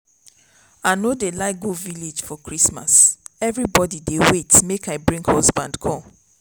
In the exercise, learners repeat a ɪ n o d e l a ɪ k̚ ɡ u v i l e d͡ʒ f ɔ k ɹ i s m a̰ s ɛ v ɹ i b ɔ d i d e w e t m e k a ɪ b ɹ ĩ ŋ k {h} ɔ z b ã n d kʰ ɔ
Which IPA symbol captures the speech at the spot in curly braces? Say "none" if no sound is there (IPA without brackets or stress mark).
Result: h